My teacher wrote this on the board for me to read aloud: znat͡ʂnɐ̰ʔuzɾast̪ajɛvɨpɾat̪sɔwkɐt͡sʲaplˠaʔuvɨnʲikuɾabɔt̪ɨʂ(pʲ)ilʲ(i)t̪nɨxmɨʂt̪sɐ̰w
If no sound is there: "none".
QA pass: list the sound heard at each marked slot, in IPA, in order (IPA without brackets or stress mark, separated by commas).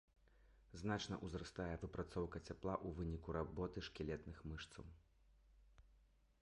kʲ, ɛ